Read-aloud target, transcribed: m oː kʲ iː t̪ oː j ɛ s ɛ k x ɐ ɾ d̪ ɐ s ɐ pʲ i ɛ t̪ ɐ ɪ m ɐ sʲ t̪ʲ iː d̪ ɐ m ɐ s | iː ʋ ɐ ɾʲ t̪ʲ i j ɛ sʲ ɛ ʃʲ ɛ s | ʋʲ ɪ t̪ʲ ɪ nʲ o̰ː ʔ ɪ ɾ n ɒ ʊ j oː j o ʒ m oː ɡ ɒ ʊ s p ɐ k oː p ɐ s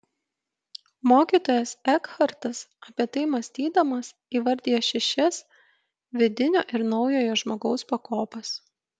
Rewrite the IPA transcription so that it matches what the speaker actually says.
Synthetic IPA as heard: m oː kʲ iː t̪ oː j ɛ s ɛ k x ɐ ɾ t̪ ɐ s ɐ pʲ i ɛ t̪ ɐ ɪ m ɐ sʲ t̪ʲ iː d̪ ɐ m ɐ s | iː ʋ ɐ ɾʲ d̪ʲ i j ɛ ʃʲ ɛ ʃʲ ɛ s | ʋʲ ɪ d̪ʲ ɪ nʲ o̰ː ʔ ɪ ɾ n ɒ ʊ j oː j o ʒ m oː ɡ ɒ ʊ s p ɐ k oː p ɐ s